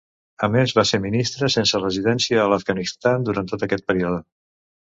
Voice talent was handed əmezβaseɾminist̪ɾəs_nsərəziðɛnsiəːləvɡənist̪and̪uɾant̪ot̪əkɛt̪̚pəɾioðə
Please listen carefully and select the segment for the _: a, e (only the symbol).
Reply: e